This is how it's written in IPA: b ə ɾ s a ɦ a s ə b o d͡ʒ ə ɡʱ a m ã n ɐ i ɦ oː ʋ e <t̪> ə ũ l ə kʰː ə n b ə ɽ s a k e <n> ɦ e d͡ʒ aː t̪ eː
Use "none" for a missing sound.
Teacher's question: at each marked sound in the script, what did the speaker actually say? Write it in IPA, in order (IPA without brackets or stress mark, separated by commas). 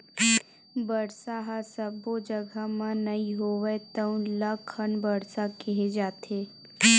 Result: t̪, none